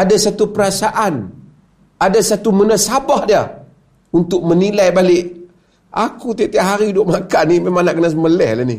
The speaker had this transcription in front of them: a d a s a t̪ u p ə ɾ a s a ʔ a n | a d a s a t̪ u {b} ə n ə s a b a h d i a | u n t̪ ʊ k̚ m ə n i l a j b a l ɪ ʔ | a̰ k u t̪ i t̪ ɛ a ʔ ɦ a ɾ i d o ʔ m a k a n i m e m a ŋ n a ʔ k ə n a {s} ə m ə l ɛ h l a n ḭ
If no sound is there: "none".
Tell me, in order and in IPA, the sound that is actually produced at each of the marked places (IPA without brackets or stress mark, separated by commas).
m, s